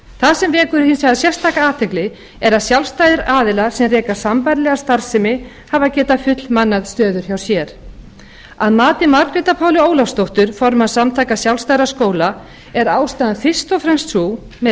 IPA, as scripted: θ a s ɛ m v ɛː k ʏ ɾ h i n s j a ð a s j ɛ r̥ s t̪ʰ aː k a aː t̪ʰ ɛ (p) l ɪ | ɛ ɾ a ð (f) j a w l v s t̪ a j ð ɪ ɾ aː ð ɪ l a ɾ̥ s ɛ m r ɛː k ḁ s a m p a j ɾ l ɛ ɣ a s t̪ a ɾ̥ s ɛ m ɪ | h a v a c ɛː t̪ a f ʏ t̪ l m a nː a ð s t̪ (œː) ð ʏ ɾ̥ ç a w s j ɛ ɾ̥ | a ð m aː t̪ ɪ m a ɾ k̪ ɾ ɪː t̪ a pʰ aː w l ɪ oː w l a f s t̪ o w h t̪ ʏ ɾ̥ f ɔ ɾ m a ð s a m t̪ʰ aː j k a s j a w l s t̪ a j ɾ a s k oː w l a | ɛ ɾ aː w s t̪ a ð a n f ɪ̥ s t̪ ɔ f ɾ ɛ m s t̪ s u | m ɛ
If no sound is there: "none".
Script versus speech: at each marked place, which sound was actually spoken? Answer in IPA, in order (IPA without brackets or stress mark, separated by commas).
k, s, œː